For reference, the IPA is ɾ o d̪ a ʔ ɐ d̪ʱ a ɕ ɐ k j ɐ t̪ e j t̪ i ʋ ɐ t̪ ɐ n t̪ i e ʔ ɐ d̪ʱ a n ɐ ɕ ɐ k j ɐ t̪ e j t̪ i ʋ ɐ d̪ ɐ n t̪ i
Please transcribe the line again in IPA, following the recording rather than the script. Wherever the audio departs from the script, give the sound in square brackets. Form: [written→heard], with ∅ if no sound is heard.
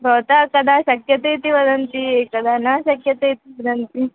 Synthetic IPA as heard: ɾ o [d̪→t̪] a [ʔ→k] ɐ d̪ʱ a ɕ ɐ k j ɐ t̪ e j t̪ i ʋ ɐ [t̪→d̪] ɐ n t̪ i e [ʔ→k] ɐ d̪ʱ a n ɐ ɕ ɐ k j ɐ t̪ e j t̪ i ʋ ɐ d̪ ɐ n t̪ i